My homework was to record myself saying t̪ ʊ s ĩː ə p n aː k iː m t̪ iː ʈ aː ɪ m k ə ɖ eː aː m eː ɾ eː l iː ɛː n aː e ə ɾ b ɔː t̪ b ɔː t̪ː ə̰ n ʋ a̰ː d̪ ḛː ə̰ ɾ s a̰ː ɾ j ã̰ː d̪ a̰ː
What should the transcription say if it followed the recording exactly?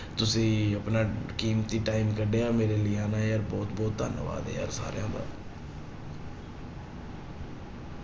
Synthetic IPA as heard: t̪ ʊ s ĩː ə p n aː k iː m t̪ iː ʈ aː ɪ m k ə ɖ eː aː m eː ɾ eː l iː aː n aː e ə ɾ b ɔː t̪ b ɔː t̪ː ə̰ n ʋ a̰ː d̪ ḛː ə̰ ɾ s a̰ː ɾ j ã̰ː d̪ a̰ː